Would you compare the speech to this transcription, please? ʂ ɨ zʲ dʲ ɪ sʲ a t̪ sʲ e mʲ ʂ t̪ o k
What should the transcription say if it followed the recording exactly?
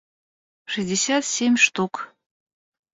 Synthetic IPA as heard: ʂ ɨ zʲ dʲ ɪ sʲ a t̪ sʲ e mʲ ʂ t̪ u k